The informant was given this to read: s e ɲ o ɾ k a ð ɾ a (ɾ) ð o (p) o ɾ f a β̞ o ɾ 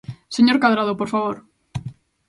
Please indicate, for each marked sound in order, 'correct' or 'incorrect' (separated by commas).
incorrect, correct